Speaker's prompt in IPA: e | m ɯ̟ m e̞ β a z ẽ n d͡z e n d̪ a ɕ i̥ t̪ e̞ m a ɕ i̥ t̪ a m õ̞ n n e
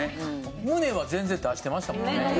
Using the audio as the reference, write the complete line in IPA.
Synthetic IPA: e | m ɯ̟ n e̞ β a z ẽ n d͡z e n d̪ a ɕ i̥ t̪ e̞ m a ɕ i̥ t̪ a m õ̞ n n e